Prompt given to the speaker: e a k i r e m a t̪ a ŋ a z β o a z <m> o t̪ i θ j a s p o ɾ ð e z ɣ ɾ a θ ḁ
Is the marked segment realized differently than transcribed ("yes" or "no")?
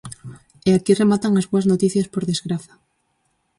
yes